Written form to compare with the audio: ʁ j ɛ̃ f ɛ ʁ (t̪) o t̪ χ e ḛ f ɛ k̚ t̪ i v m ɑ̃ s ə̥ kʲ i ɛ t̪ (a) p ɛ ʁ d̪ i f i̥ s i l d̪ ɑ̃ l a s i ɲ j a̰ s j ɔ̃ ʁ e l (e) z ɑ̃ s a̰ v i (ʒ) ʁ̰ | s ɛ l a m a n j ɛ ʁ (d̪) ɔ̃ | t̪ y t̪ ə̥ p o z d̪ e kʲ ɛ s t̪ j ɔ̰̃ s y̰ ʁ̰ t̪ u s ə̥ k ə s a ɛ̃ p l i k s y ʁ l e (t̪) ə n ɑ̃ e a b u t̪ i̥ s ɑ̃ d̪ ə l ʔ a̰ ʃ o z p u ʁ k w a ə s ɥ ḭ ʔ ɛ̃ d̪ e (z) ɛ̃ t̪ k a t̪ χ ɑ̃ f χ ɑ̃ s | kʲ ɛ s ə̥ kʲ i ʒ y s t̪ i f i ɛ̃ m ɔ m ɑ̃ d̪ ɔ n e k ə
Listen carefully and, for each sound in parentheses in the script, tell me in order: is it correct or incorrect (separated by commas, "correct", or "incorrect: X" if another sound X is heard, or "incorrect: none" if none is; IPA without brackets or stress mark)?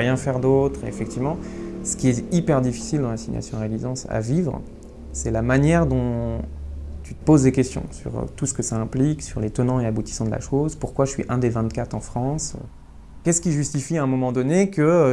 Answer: incorrect: d̪, incorrect: i, incorrect: i, incorrect: v, correct, correct, incorrect: v